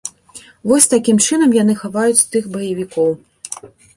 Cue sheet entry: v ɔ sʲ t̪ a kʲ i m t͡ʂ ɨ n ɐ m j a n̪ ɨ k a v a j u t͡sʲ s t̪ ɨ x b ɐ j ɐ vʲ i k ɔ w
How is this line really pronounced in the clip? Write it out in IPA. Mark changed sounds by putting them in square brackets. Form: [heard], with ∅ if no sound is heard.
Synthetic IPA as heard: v ɔ sʲ t̪ a kʲ i m t͡ʂ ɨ n ɐ m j a n̪ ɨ [x] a v a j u t͡sʲ s t̪ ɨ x b ɐ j ɐ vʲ i k ɔ w

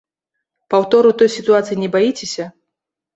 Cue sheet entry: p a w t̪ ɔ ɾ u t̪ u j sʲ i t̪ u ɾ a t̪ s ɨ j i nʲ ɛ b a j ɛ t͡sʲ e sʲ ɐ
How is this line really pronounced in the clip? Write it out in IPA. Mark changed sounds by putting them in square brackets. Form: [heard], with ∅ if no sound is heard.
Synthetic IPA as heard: p a w t̪ ɔ ɾ u t̪ [ɔ] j sʲ i t̪ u [∅] a t̪ s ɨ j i nʲ ɛ b a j [i] t͡sʲ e sʲ ɐ

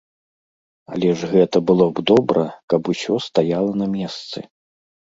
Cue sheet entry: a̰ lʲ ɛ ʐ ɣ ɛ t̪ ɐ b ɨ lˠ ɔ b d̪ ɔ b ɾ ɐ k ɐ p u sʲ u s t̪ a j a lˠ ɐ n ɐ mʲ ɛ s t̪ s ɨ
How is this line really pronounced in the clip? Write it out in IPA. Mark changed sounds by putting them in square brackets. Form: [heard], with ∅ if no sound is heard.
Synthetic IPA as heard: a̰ lʲ ɛ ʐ ɣ ɛ t̪ ɐ b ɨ lˠ ɔ b d̪ ɔ b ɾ ɐ k ɐ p u sʲ [ɔ] s t̪ a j a lˠ ɐ n ɐ mʲ ɛ s t̪ s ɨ

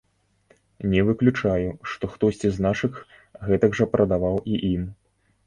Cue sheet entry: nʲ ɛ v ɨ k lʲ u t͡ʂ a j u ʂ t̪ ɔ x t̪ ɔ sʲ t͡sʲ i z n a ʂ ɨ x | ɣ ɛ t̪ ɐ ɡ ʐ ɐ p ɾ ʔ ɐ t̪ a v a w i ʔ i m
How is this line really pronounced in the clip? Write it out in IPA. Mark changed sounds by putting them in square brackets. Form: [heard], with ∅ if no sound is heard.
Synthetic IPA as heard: nʲ ɛ v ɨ k lʲ u t͡ʂ a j u ʂ t̪ ɔ x t̪ ɔ sʲ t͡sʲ i z n a ʂ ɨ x | ɣ ɛ t̪ ɐ ɡ ʐ ɐ p ɾ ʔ ɐ [d̪] a v a w i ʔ i m

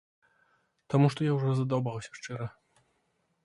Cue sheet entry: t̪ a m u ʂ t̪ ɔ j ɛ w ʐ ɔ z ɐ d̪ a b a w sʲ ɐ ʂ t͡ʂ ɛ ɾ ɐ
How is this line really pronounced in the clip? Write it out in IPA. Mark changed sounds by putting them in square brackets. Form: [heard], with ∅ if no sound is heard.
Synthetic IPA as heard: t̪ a m u ʂ t̪ ɔ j [a] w ʐ ɔ z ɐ d̪ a b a w sʲ ɐ ʂ t͡ʂ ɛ ɾ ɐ

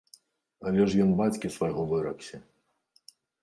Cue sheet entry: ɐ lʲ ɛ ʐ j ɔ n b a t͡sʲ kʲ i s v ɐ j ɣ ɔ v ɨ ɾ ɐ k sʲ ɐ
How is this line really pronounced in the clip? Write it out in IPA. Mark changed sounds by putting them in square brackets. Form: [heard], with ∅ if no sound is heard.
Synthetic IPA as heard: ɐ lʲ ɛ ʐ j ɔ n b a t͡sʲ kʲ i s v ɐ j ɣ ɔ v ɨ ɾ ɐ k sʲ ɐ

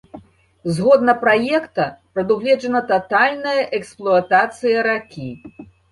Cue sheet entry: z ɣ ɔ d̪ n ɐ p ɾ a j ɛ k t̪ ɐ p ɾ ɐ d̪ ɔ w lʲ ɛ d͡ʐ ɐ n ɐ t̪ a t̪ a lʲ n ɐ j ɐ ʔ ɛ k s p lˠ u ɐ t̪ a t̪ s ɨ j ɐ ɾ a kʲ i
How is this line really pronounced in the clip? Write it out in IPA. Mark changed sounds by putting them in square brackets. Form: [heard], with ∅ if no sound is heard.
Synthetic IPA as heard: z ɣ ɔ d̪ n ɐ p ɾ a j ɛ k t̪ ɐ p ɾ ɐ d̪ [u] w lʲ ɛ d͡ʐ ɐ n ɐ t̪ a t̪ a lʲ n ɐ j ɐ ʔ ɛ k s p lˠ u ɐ t̪ a t̪ s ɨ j ɐ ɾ a kʲ i

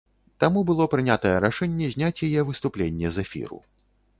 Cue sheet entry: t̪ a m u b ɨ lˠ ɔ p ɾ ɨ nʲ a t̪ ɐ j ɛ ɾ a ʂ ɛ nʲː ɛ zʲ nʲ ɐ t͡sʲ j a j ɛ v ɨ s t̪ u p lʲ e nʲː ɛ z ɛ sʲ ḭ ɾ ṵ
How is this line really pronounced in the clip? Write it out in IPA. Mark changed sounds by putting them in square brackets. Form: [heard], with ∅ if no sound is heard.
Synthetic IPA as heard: t̪ a m u b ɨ lˠ ɔ p ɾ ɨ nʲ a t̪ ɐ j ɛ ɾ a ʂ ɛ nʲː ɛ zʲ nʲ [a] t͡sʲ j a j ɛ v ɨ s t̪ u p lʲ e nʲː ɛ z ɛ [fʲ] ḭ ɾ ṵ

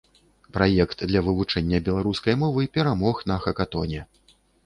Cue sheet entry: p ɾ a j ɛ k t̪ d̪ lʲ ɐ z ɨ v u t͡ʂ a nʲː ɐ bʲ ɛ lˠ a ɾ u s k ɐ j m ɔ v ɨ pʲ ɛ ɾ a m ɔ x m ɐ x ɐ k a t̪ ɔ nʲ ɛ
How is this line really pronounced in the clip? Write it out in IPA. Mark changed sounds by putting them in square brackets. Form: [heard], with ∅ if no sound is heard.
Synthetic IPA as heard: p ɾ a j ɛ k t̪ d̪ lʲ ɐ [v] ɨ v u t͡ʂ [ɛ] nʲː ɐ bʲ ɛ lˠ a ɾ u s k ɐ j m ɔ v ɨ pʲ ɛ ɾ a m ɔ x [n] ɐ x ɐ k a t̪ ɔ nʲ ɛ

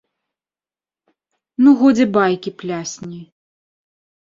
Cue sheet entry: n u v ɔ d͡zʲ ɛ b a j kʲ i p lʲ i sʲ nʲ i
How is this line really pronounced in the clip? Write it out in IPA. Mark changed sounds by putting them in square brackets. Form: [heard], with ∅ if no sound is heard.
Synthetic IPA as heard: n u [ɣ] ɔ d͡zʲ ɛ b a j kʲ i p lʲ [a] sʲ nʲ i

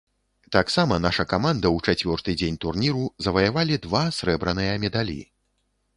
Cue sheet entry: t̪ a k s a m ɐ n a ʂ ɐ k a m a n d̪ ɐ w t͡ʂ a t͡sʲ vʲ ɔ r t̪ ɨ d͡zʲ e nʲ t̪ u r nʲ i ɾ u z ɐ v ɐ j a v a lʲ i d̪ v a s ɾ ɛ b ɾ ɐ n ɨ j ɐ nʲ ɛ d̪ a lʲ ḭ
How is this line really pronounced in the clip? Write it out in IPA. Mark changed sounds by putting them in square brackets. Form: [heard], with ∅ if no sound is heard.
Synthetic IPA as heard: t̪ a k s a m ɐ n a ʂ ɐ k a m a n d̪ ɐ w t͡ʂ a t͡sʲ vʲ ɔ r t̪ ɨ d͡zʲ e nʲ t̪ u r nʲ i ɾ u z ɐ v ɐ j a v a lʲ i d̪ v a s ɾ ɛ b ɾ ɐ n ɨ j ɐ [mʲ] ɛ d̪ a lʲ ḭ

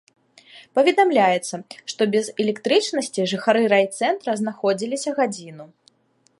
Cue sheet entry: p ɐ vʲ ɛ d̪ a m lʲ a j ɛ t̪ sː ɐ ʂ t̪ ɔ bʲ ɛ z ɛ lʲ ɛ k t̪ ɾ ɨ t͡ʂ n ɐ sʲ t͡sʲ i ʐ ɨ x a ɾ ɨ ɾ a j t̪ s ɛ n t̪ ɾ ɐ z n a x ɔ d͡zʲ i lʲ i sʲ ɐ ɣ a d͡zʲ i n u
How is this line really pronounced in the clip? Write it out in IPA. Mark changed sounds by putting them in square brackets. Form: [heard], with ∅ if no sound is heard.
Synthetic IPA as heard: p ɐ vʲ ɛ d̪ a m lʲ a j ɛ t̪ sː ɐ ʂ t̪ ɔ bʲ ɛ z ɛ lʲ ɛ k t̪ ɾ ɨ t͡ʂ n ɐ sʲ t͡sʲ i ʐ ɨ x a ɾ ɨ ɾ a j t̪ s ɛ n t̪ ɾ ɐ z n a x ɔ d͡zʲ i lʲ i sʲ ɐ ɣ a d͡zʲ i n u

